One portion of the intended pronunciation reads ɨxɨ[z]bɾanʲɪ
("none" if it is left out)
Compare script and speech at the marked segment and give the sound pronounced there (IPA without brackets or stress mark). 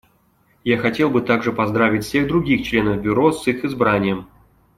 z